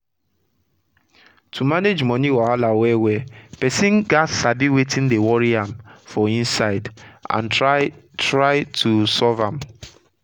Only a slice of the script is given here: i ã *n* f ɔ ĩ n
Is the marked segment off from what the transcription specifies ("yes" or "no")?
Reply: yes